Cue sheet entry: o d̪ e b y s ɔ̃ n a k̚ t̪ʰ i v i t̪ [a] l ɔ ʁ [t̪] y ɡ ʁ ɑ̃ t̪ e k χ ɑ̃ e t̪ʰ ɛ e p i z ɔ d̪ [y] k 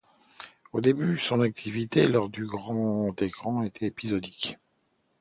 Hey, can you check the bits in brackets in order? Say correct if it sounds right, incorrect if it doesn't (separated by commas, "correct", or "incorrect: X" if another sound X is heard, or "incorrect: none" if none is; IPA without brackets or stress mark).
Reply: incorrect: e, incorrect: d̪, incorrect: i